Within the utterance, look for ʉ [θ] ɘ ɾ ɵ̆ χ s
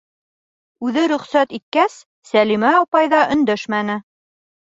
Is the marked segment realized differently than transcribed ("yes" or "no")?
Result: yes